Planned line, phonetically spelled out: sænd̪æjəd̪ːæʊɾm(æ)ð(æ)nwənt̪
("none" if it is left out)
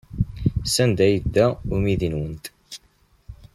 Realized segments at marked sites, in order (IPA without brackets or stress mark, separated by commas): i, i